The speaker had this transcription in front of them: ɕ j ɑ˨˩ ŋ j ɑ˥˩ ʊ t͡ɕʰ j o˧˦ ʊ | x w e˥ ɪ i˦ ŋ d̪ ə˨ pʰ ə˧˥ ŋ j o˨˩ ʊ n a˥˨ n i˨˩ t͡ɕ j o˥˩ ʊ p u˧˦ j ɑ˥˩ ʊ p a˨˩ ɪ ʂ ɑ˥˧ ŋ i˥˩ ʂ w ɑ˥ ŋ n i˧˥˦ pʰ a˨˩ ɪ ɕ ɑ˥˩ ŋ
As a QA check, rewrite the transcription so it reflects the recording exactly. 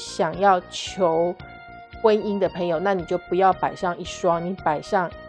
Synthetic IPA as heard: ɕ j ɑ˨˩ ŋ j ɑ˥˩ ʊ t͡ɕʰ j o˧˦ ʊ | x w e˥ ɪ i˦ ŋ d̪ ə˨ pʰ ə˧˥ ŋ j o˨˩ ʊ n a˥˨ n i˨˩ t͡ɕ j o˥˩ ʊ p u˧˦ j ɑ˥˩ ʊ p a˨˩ ɪ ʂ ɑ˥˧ ŋ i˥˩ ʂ w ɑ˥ ŋ n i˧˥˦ p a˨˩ ɪ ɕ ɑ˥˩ ŋ

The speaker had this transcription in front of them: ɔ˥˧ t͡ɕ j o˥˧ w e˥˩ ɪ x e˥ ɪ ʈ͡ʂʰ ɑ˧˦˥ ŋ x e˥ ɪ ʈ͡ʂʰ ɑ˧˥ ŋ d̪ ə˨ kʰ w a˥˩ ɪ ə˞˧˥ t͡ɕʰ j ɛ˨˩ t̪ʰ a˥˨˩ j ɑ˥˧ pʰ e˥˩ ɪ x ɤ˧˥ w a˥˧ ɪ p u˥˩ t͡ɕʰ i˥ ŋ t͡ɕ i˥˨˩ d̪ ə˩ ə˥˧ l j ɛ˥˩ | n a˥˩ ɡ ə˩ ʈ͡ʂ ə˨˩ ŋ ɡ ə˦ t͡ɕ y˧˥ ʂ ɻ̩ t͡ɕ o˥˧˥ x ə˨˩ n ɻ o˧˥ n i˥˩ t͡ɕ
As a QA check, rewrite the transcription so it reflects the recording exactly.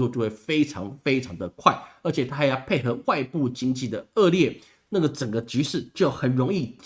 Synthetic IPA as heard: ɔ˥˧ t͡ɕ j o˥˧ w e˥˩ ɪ f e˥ ɪ ʈ͡ʂʰ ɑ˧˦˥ ŋ f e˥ ɪ ʈ͡ʂʰ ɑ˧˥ ŋ d̪ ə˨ kʰ w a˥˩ ɪ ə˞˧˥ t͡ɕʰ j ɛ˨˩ t̪ʰ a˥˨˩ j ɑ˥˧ pʰ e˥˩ ɪ x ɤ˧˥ w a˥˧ ɪ p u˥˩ t͡ɕ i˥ ŋ t͡ɕ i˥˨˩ d̪ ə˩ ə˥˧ l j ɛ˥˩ | n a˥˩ ɡ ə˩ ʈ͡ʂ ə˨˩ ŋ ɡ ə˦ t͡ɕ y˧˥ ʂ ɻ̩ t͡ɕ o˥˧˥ x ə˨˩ n ɻ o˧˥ ŋ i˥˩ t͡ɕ

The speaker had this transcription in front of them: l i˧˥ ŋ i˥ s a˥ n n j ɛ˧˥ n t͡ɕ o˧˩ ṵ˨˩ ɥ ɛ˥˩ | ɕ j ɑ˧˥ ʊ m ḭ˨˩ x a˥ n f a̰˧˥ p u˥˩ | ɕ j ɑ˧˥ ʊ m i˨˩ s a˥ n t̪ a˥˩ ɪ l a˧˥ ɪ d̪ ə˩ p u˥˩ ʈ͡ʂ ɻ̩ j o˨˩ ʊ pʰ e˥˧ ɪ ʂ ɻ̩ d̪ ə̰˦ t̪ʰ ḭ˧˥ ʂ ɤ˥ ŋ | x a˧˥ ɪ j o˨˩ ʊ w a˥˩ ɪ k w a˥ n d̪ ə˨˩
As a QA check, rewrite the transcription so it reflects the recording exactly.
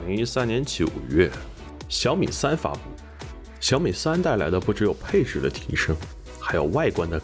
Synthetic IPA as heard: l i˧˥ ŋ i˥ s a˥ n n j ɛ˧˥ n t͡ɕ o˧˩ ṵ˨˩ ɥ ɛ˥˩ | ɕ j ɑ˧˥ ʊ m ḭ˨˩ s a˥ n f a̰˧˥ p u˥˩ | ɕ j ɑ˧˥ ʊ m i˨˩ s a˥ n t̪ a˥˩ ɪ l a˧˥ ɪ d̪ ə˧ p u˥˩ ʈ͡ʂ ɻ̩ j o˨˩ ʊ pʰ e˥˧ ɪ ʈ͡ʂ ɻ̩ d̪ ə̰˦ t̪ʰ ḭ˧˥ ʂ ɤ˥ ŋ | x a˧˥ ɪ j o˨˩ ʊ w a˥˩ ɪ k w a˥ n d̪ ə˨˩

